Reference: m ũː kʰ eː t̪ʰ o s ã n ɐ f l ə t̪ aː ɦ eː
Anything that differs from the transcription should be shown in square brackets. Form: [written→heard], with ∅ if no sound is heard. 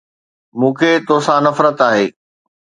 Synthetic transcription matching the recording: m ũː kʰ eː [t̪ʰ→t̪] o s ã n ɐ f [l→ɾ] ə t̪ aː ɦ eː